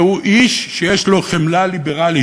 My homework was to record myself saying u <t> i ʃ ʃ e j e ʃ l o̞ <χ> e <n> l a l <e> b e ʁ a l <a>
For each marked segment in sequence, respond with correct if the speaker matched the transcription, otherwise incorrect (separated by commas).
incorrect, correct, incorrect, incorrect, incorrect